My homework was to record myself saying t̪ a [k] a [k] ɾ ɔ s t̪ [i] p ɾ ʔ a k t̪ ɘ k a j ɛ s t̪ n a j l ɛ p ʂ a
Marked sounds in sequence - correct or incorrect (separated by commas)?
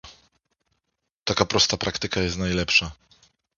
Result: correct, incorrect, incorrect